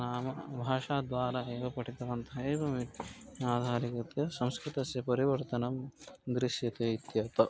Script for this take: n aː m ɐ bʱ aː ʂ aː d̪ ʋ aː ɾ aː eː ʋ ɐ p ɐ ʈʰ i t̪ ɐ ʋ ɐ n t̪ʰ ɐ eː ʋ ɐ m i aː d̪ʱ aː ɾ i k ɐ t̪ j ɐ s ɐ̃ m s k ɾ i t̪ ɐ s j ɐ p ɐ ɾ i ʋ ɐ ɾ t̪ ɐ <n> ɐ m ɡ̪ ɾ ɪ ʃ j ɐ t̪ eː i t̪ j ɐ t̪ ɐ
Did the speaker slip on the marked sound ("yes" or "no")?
no